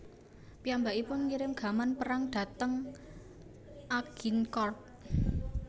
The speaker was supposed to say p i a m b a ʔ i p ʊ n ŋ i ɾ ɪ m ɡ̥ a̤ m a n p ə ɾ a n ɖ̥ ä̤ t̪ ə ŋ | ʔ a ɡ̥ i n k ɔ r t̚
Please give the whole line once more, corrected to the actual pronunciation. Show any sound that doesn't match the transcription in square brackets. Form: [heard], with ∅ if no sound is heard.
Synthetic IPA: p i a m b a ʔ i p ʊ n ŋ i ɾ ɪ m ɡ̥ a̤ m a n p ə ɾ a [ŋ] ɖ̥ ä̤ t̪ ə ŋ | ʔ a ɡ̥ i n k ɔ r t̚